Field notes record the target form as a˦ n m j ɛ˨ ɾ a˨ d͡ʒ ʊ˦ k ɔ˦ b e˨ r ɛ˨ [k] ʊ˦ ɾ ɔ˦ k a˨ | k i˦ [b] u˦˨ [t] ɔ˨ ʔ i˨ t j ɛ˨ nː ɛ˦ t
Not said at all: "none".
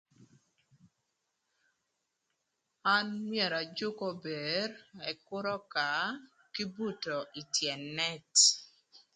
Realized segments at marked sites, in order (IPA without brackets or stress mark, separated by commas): k, b, t